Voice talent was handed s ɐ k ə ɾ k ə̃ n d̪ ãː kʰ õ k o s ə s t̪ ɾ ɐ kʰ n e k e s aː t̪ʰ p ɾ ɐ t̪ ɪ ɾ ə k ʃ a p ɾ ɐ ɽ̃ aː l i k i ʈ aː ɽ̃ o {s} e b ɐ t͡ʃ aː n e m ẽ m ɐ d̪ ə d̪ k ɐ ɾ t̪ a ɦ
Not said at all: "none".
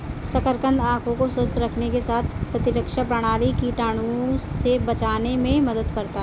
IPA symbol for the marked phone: s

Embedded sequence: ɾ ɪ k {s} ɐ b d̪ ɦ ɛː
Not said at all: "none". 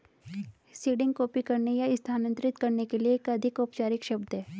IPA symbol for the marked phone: ʃ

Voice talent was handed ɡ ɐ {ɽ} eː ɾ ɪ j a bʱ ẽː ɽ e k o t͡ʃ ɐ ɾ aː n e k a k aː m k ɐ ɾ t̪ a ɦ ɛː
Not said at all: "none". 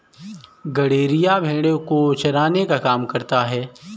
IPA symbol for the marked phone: ɽ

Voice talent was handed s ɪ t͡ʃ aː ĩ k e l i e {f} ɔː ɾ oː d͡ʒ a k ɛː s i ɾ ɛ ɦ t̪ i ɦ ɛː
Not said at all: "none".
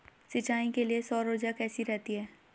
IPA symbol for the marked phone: s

